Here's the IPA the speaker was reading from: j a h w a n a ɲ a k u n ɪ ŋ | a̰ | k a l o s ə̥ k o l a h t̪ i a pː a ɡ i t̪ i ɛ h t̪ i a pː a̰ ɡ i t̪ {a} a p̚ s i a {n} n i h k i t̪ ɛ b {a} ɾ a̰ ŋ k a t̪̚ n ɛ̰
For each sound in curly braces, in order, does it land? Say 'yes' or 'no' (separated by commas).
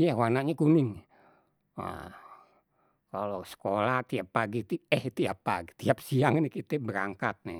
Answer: no, no, no